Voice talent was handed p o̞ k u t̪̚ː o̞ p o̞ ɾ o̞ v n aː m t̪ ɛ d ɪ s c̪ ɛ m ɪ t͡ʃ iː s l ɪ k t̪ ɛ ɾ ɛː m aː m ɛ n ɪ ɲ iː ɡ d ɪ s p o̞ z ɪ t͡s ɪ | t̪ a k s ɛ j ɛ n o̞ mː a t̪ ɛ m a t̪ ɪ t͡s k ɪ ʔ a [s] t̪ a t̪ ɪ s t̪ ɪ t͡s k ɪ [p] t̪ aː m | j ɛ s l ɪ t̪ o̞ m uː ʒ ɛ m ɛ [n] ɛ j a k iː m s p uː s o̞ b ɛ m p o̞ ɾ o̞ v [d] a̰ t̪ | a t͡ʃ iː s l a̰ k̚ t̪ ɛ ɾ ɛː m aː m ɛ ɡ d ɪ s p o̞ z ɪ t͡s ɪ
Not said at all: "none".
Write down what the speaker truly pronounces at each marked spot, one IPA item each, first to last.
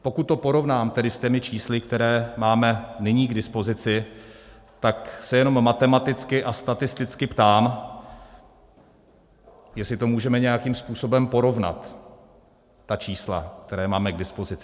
s, p, ɲ, n

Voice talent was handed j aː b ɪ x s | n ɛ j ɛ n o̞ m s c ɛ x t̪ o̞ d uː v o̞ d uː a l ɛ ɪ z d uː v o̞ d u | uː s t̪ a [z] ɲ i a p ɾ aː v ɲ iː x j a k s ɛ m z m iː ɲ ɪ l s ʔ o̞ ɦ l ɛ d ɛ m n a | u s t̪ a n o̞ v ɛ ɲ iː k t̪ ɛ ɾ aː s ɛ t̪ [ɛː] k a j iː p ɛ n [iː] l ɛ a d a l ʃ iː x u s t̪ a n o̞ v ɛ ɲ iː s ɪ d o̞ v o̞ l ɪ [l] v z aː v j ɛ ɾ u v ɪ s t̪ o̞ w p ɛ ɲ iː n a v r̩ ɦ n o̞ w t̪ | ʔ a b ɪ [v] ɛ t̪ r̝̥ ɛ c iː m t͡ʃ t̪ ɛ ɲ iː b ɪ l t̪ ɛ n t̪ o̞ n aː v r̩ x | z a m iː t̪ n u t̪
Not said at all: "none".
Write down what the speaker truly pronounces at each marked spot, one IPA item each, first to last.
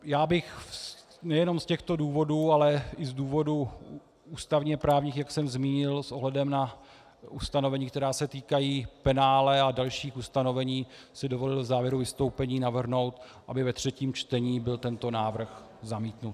v, iː, aː, l, v

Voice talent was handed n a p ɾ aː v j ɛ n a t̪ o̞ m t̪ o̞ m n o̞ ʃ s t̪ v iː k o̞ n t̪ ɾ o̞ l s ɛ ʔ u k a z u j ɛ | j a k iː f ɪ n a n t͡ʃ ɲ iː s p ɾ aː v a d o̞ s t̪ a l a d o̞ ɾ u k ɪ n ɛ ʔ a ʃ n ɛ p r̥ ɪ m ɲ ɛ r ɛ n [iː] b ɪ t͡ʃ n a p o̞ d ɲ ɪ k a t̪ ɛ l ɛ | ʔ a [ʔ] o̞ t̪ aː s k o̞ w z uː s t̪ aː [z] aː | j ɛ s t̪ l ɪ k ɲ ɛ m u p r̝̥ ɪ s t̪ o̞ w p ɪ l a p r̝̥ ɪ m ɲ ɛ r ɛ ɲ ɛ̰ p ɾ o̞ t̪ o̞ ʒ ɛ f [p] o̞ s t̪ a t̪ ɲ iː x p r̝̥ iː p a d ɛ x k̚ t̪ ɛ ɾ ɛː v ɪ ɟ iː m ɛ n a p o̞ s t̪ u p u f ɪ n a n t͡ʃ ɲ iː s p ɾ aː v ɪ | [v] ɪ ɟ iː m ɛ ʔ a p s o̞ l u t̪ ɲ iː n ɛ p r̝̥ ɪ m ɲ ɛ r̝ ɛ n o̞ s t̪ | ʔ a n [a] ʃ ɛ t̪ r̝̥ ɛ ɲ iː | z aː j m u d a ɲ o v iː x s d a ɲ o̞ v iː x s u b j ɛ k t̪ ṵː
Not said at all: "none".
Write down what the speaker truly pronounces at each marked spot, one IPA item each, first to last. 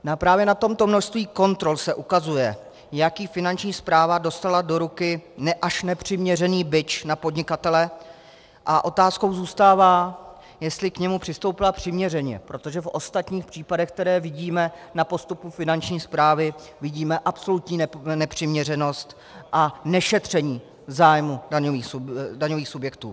iː, ʔ, v, ʔ, v, ɛ

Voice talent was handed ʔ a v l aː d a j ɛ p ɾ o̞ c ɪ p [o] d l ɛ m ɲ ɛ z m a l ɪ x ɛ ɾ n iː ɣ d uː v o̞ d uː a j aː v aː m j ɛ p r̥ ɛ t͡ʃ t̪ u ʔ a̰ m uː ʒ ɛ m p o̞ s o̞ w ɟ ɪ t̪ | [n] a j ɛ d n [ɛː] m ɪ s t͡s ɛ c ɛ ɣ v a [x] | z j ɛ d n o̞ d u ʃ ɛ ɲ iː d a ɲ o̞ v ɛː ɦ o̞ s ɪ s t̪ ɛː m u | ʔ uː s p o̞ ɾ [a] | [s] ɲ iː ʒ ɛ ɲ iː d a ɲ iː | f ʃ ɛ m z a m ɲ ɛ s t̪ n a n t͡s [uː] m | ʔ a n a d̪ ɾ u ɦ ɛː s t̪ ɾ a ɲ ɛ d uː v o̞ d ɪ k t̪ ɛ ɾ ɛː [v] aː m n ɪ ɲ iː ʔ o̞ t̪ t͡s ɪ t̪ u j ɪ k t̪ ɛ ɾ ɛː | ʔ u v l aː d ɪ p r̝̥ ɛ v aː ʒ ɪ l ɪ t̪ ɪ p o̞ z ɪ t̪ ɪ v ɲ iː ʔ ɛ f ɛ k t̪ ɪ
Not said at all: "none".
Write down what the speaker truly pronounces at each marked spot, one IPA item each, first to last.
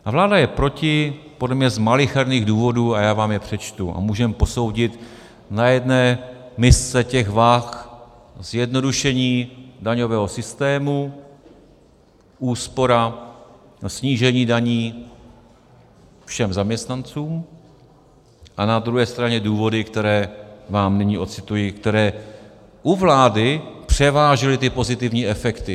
o, n, ɛː, x, a, s, uː, v

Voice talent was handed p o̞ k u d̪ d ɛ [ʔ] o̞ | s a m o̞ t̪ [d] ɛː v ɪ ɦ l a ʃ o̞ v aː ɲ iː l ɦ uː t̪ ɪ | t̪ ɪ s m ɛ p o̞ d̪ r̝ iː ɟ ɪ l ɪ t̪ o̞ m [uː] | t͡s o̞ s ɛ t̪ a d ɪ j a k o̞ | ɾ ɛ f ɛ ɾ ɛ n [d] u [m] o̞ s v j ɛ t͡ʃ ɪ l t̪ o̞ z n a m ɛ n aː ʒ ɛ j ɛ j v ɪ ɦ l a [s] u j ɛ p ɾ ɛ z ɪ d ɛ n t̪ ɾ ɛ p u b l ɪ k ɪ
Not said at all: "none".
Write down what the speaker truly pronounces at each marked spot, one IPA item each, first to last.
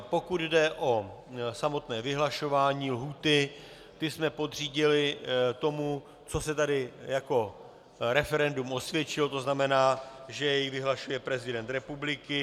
ʔ, n, u, d, m, ʃ

